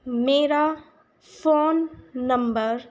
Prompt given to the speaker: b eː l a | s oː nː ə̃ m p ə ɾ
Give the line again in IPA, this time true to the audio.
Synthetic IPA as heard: m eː ɾ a | f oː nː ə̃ m b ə ɾ